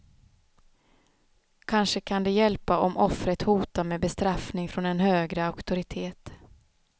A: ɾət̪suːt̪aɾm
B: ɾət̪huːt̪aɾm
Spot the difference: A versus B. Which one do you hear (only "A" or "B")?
B